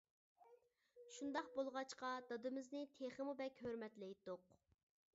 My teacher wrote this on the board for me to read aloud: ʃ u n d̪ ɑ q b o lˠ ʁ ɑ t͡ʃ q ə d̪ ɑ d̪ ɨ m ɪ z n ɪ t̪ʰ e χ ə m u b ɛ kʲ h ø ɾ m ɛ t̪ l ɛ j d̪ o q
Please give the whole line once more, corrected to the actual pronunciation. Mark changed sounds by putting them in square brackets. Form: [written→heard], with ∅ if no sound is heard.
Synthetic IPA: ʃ u n d̪ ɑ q b o lˠ ʁ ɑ t͡ʃ q [ə→ɑ] d̪ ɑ d̪ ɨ m ɪ z n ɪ t̪ʰ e χ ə m u b ɛ kʲ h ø ɾ m ɛ t̪ l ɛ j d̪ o q